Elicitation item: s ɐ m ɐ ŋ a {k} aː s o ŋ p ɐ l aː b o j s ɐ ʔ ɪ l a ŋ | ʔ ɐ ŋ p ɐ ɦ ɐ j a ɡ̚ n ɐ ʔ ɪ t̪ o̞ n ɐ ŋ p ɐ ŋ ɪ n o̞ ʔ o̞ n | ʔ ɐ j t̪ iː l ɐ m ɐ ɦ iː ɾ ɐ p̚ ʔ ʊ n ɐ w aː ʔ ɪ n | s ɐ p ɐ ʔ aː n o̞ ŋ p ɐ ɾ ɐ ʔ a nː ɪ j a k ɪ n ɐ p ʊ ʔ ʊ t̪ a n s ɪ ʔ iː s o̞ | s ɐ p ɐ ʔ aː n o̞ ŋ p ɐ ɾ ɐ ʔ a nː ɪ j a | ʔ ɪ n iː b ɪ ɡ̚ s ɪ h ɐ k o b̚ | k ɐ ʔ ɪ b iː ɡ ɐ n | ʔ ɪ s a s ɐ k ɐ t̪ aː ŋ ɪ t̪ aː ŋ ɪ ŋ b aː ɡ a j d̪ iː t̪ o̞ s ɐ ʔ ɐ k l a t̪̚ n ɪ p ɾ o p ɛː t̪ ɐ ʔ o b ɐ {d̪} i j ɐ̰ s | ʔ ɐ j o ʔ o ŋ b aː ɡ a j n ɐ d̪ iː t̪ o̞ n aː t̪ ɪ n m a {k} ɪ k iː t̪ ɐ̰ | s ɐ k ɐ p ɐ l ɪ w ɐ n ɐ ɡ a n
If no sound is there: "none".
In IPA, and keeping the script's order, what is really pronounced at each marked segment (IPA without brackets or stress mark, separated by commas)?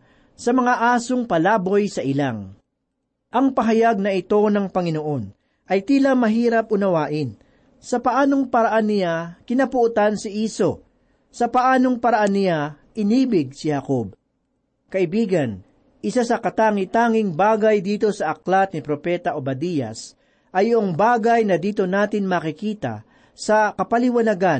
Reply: ʔ, d̪, k